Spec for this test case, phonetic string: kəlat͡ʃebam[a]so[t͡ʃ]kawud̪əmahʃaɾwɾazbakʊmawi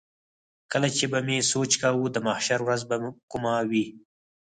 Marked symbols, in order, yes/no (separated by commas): no, yes